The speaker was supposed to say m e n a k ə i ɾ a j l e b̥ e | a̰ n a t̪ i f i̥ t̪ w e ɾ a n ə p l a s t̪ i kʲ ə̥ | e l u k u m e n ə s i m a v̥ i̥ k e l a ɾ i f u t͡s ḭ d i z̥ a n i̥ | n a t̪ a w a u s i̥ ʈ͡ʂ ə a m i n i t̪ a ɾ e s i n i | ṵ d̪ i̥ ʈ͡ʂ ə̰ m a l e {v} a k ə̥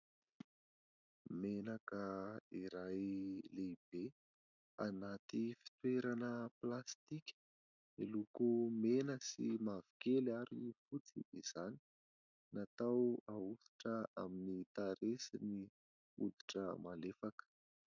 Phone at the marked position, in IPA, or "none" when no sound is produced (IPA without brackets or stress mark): f